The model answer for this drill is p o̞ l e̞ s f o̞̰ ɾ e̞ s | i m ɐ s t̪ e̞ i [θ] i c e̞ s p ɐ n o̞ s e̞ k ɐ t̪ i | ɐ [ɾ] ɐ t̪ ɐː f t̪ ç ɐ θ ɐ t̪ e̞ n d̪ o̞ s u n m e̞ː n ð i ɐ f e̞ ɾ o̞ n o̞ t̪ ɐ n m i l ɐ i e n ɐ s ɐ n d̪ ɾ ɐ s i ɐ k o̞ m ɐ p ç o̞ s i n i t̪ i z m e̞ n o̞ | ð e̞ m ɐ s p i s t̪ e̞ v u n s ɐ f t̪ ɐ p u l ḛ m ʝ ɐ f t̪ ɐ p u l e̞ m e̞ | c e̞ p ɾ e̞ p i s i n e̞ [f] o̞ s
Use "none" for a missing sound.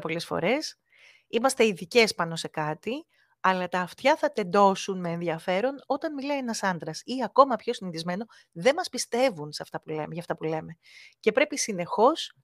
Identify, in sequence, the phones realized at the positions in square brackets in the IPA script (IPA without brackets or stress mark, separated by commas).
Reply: ð, l, x